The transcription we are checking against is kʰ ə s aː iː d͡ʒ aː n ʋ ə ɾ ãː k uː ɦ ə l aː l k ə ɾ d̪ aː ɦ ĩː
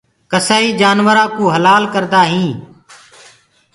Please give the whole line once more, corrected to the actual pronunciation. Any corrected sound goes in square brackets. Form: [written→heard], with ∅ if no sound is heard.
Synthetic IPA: [kʰ→k] ə s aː iː d͡ʒ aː n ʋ ə ɾ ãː k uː ɦ ə l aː l k ə ɾ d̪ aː ɦ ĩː